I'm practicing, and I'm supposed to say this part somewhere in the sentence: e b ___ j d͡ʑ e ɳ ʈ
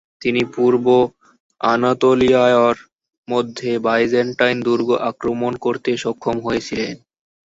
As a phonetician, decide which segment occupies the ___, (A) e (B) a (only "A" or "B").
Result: B